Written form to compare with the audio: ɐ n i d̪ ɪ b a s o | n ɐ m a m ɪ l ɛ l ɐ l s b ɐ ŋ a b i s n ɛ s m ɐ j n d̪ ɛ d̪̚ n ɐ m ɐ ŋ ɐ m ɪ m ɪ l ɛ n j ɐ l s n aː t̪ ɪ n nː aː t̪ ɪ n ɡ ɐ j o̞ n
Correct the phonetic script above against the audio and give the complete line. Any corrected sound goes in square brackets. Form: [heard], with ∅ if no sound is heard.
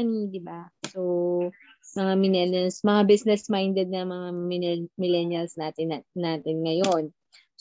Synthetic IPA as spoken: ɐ n i d̪ ɪ b a s o | [m] ɐ [ŋ] a m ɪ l ɛ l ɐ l s [m] ɐ ŋ a b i s n ɛ s m [a] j n d̪ ɛ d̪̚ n ɐ m ɐ ŋ [a] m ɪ m ɪ l ɛ n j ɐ l s n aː t̪ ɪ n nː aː t̪ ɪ n [ŋ] ɐ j o̞ n